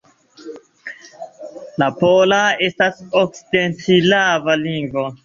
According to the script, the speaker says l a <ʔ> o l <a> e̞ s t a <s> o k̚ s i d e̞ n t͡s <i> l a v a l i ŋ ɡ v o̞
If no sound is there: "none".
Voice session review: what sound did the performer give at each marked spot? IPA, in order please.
p, a, s, i

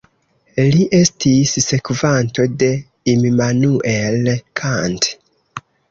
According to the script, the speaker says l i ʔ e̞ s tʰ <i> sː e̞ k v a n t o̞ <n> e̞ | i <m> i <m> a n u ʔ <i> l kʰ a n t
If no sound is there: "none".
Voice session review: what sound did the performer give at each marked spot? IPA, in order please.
i, d, m, m, e

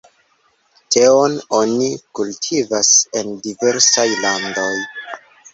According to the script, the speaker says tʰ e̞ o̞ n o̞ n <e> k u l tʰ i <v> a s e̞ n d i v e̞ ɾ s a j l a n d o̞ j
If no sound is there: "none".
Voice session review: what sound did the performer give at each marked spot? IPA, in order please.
i, v

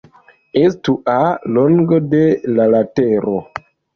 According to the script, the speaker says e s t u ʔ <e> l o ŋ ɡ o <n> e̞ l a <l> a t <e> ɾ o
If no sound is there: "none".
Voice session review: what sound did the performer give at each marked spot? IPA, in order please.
a, d, l, e

